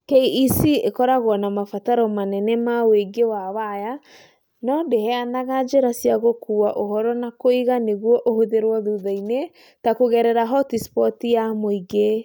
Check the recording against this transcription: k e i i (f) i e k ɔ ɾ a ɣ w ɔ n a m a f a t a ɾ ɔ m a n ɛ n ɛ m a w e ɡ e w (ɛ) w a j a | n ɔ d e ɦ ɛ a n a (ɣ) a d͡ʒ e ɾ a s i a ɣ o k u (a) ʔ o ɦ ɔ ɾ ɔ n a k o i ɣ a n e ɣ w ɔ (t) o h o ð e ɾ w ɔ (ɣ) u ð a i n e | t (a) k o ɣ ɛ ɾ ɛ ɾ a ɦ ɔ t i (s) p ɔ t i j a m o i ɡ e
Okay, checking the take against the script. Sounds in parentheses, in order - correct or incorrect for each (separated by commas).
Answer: incorrect, incorrect, correct, correct, incorrect, incorrect, correct, correct